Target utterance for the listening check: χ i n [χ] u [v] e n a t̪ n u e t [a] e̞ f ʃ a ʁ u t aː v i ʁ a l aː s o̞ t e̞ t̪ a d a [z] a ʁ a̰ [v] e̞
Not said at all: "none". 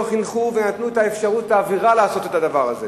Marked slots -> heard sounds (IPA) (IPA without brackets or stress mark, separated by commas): χ, v, a, v, z